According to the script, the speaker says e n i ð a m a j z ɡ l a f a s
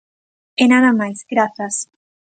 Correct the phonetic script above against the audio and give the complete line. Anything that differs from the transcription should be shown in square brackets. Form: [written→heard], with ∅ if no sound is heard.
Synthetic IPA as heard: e n [i→a] ð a m a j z ɡ [l→ɾ] a [f→θ] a s